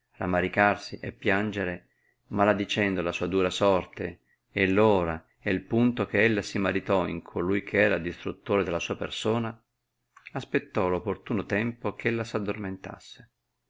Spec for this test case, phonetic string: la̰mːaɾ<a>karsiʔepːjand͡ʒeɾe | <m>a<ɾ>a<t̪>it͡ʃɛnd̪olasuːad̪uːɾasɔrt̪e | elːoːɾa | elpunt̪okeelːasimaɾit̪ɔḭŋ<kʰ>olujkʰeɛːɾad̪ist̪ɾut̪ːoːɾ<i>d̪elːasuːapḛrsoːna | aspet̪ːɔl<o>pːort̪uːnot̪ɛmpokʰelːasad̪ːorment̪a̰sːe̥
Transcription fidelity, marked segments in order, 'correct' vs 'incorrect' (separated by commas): incorrect, correct, incorrect, incorrect, correct, incorrect, correct